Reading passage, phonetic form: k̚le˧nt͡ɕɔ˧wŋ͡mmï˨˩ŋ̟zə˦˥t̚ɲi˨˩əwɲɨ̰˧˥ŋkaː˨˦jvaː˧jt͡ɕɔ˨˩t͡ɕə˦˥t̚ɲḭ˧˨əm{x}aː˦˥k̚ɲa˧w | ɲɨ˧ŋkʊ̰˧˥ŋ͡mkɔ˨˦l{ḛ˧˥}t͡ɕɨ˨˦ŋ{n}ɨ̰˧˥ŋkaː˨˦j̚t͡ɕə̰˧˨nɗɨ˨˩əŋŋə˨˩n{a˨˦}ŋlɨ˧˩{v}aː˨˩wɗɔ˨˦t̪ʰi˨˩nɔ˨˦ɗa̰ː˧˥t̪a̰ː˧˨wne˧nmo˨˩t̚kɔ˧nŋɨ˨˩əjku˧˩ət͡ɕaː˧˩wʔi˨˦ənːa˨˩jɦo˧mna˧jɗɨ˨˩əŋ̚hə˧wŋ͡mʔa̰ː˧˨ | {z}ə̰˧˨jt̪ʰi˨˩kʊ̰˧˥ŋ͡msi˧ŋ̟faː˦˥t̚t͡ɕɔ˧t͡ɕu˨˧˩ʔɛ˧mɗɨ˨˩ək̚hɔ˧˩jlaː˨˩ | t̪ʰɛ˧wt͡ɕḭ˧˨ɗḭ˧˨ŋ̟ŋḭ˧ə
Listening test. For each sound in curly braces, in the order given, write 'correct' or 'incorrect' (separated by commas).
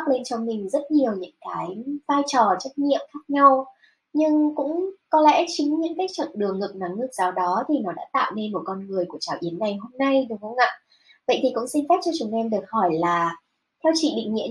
correct, incorrect, incorrect, correct, incorrect, incorrect